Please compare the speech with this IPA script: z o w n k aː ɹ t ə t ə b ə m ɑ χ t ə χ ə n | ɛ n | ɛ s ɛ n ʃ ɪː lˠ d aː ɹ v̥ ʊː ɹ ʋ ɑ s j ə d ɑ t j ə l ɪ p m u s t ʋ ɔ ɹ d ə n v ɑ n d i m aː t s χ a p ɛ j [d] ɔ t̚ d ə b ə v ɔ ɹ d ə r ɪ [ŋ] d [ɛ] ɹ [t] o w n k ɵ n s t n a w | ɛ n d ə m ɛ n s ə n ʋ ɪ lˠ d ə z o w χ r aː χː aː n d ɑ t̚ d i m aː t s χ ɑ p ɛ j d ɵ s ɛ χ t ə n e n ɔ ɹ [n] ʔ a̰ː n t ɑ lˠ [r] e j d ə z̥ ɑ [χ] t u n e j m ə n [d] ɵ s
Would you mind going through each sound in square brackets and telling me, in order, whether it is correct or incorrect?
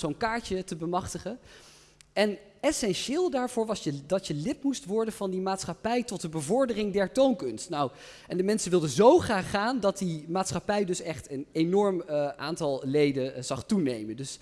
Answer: incorrect, correct, correct, correct, incorrect, incorrect, correct, correct

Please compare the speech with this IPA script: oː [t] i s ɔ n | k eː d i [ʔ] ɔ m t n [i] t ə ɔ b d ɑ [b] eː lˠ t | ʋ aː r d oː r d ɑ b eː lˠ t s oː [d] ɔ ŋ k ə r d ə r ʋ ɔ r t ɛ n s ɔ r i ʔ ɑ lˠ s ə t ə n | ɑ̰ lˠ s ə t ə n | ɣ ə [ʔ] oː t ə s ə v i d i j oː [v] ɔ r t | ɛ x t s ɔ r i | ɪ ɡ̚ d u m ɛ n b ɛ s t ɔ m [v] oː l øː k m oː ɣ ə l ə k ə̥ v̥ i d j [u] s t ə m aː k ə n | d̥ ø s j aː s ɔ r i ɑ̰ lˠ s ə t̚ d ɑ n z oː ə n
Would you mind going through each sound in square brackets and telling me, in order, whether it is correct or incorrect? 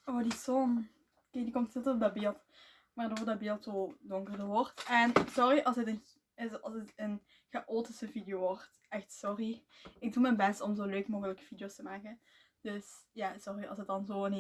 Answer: incorrect, incorrect, incorrect, correct, correct, correct, incorrect, incorrect, incorrect

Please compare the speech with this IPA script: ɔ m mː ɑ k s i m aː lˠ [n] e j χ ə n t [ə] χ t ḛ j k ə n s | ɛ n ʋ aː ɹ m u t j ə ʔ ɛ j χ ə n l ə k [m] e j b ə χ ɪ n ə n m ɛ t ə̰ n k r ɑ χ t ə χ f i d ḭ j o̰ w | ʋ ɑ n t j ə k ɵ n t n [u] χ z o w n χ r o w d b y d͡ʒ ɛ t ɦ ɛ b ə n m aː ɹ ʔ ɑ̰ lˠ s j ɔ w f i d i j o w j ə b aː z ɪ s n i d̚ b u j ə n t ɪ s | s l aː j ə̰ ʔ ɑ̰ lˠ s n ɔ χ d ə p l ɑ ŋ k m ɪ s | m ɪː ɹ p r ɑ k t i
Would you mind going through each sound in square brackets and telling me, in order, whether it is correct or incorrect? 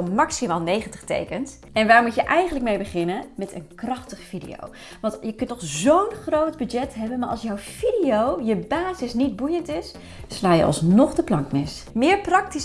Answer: correct, correct, correct, incorrect

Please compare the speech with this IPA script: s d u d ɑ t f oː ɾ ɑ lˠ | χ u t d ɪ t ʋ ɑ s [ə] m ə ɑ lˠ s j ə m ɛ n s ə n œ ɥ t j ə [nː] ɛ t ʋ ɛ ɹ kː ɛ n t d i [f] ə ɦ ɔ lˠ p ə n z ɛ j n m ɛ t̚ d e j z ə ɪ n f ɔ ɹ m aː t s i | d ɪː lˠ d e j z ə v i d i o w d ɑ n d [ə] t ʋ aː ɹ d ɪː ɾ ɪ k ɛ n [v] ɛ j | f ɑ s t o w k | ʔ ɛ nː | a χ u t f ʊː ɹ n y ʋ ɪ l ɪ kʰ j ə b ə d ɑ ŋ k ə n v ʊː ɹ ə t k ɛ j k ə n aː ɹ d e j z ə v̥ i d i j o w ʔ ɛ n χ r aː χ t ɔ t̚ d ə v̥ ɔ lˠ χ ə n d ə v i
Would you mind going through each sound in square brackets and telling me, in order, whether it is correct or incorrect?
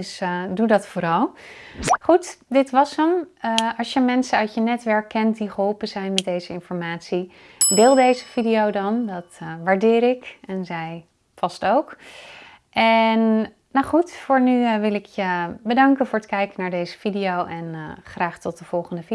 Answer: correct, incorrect, incorrect, incorrect, incorrect

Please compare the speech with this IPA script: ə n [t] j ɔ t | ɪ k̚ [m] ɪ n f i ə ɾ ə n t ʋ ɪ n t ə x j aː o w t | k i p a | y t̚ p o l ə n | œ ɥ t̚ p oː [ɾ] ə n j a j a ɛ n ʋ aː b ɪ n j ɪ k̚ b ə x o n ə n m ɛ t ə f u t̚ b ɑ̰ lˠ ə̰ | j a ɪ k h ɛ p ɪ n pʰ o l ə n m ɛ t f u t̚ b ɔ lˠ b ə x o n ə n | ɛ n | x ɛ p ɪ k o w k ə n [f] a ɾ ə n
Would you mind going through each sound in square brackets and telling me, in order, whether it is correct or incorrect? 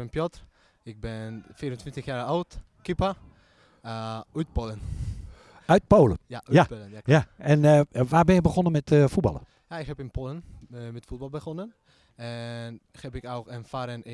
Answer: incorrect, incorrect, incorrect, correct

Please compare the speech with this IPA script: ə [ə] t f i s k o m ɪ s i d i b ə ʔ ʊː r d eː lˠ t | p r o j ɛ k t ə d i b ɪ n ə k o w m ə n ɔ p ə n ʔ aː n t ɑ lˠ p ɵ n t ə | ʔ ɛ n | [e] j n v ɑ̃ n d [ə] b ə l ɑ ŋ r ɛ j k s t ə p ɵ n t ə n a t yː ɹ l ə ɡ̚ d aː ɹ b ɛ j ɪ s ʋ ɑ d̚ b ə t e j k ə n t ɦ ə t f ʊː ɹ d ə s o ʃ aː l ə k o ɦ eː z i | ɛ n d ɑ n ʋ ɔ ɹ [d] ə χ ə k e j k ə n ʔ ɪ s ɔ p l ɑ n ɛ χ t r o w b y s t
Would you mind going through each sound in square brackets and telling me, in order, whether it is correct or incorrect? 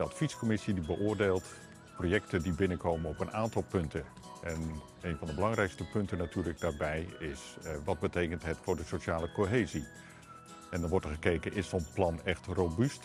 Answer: incorrect, correct, correct, incorrect

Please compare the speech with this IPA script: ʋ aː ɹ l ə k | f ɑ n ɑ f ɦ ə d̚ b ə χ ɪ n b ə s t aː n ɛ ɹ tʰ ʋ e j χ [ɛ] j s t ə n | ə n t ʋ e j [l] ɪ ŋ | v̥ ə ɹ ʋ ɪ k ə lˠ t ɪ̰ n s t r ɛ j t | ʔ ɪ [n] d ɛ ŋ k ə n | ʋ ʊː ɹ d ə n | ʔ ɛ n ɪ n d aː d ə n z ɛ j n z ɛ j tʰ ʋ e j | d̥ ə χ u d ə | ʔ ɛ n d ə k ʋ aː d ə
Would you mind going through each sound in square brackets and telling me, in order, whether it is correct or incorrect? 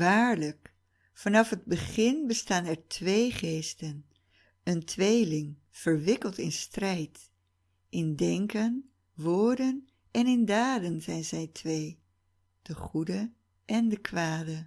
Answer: incorrect, correct, correct

